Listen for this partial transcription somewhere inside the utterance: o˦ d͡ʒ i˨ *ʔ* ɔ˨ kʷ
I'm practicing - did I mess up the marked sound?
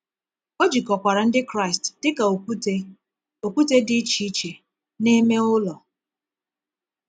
yes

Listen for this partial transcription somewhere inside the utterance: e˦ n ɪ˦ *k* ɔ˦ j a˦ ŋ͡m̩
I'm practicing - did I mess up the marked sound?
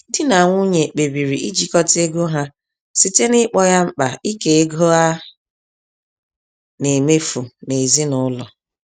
yes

